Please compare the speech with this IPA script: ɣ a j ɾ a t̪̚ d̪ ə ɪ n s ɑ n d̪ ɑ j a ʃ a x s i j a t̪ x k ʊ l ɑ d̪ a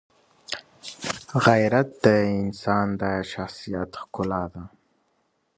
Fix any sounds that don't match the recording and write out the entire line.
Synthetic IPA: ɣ a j ɾ a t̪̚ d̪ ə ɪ n s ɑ n d̪ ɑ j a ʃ a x s i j a t̪ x k ʊ l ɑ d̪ a